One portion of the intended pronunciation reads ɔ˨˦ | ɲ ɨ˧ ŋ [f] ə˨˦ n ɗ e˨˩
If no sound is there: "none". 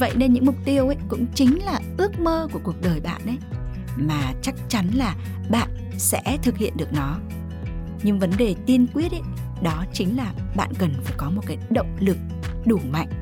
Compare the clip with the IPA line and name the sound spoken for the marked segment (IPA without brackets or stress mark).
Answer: v